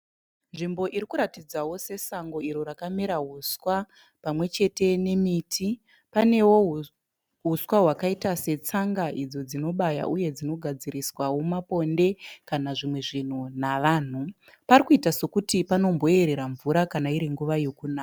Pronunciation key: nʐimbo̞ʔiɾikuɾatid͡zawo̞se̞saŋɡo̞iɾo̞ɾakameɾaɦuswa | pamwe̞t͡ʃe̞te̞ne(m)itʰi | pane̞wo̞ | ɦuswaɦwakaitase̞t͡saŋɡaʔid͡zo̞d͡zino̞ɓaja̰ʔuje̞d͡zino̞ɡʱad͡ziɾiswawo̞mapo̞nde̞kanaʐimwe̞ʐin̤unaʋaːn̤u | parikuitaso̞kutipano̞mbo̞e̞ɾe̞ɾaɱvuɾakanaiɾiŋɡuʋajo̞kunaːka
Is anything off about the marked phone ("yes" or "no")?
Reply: no